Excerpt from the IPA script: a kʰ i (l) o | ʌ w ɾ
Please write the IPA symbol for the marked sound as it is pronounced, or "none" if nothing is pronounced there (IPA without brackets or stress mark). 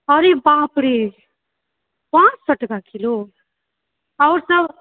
l